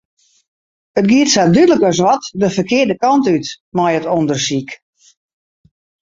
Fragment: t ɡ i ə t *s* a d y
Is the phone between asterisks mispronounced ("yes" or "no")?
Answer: no